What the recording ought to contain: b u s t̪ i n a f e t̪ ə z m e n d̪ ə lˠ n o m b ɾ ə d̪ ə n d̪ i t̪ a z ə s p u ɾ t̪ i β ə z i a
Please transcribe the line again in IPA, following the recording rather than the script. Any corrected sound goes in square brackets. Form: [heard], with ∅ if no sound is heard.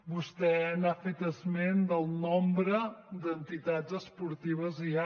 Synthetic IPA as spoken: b u s t̪ [ɛ] n a f e t̪ ə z m e n d̪ ə lˠ n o m b ɾ ə d̪ ə n [t̪] i t̪ a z ə s p u ɾ t̪ i β ə z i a